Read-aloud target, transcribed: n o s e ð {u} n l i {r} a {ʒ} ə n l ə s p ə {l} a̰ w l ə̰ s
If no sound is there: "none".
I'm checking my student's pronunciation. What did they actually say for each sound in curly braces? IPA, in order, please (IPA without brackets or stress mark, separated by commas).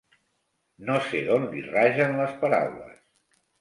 o, r, ʒ, ɾ